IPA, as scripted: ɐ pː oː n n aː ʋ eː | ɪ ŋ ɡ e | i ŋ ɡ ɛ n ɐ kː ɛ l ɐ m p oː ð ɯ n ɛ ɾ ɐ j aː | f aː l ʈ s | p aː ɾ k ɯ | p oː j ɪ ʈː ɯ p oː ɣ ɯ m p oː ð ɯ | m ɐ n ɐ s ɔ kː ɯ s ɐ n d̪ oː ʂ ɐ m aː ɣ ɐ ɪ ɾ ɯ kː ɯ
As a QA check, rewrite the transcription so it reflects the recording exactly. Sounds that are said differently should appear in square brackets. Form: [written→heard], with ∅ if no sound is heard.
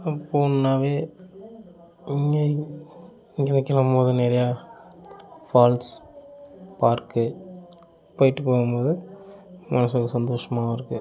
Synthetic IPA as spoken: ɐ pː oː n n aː ʋ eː | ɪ ŋ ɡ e | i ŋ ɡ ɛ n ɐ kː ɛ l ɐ m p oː ð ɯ n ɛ ɾ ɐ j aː | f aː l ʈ s | p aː ɾ k ɯ | p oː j ɪ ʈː ɯ p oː ɣ ɯ m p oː ð ɯ | m ɐ n ɐ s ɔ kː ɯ s ɐ n d̪ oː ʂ ɐ m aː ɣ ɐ ɪ ɾ ɯ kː ɯ

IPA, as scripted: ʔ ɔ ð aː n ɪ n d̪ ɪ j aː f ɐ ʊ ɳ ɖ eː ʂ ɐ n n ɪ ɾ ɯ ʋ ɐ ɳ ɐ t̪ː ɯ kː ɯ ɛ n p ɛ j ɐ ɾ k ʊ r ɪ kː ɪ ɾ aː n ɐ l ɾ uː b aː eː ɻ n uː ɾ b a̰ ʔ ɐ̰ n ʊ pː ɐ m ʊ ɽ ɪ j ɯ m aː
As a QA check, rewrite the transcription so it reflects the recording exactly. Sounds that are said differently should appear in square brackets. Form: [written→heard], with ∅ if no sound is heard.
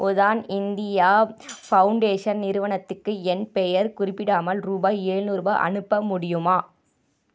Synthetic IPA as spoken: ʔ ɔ ð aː n ɪ n d̪ ɪ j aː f ɐ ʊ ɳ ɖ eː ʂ ɐ n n ɪ ɾ ɯ ʋ ɐ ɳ ɐ t̪ː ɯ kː ɯ ɛ n p ɛ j ɐ ɾ k ʊ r ɪ [kː→pː] ɪ [ɾ→ɽ] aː [n→m] ɐ l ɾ uː b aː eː ɻ n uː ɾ b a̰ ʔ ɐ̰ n [ʊ→ɯ] pː ɐ m ʊ ɽ ɪ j ɯ m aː

